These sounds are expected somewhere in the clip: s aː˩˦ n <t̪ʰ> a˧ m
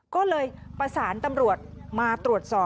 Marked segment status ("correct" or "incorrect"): incorrect